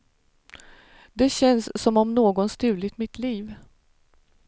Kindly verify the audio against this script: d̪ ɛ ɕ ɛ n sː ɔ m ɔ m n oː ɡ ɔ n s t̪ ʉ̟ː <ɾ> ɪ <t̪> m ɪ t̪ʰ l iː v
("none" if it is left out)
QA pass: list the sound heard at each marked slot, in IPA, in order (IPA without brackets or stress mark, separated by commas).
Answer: l, t̪